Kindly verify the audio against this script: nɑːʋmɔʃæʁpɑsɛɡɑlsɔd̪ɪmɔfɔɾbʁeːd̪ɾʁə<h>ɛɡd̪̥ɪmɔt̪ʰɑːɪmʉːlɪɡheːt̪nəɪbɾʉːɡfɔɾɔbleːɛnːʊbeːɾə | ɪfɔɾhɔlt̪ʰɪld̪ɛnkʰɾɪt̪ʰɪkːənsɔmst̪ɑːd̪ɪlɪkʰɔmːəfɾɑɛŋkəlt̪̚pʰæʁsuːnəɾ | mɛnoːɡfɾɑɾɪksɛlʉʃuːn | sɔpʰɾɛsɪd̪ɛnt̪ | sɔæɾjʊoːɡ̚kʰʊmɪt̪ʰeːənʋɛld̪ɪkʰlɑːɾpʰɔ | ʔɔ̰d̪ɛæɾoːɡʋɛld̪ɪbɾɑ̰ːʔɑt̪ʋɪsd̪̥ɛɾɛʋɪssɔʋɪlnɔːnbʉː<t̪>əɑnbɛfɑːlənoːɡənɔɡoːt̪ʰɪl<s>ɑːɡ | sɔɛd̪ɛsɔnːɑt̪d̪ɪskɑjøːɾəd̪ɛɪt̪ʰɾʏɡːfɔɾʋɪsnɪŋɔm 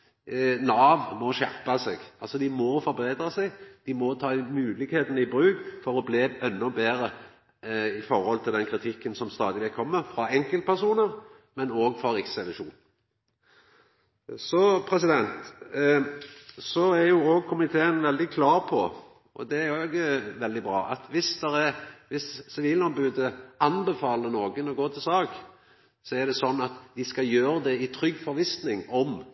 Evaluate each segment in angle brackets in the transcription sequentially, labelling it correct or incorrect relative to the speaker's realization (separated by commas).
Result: incorrect, incorrect, correct